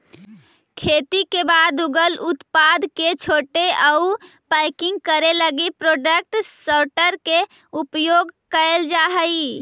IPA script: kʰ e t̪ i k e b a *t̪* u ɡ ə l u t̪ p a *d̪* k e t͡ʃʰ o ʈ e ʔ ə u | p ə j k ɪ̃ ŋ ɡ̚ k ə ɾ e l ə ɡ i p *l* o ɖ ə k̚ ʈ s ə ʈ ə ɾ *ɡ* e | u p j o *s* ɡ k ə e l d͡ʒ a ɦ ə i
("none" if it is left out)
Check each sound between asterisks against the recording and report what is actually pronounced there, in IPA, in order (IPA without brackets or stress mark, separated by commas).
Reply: d̪, d̪, ɾ, k, none